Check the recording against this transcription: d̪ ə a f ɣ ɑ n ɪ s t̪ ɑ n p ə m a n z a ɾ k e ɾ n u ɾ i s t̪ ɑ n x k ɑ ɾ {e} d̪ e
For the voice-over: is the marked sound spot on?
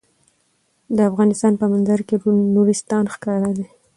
no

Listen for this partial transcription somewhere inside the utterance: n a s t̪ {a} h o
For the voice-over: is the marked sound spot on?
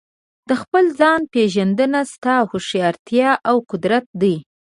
no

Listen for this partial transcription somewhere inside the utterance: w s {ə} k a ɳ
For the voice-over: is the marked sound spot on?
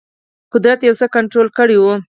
yes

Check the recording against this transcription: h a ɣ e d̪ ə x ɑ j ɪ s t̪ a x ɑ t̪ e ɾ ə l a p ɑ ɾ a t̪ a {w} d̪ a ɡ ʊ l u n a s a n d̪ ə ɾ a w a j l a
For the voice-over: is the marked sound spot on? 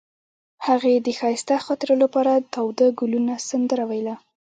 yes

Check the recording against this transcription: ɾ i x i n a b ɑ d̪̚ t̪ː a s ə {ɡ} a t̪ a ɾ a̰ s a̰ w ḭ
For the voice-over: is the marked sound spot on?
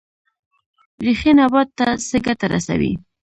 yes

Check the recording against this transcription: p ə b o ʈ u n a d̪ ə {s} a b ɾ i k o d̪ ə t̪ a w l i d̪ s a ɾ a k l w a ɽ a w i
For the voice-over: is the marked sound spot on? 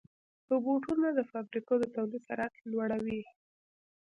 no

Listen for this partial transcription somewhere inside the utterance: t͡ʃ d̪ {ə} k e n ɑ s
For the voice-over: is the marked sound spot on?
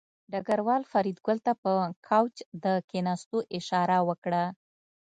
yes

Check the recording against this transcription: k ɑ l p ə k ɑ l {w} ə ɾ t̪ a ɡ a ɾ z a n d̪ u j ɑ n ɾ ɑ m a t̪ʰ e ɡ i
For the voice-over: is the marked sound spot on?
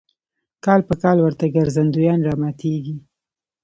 yes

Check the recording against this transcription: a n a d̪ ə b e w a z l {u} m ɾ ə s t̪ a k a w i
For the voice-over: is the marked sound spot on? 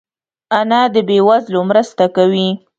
no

